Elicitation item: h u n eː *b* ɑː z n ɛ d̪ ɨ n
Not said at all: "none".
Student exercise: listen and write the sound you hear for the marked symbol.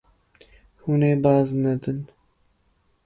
b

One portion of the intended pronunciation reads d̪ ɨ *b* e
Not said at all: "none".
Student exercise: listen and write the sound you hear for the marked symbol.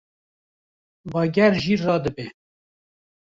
b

